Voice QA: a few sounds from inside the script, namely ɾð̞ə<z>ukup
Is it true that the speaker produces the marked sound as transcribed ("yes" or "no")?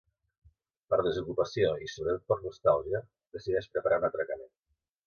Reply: yes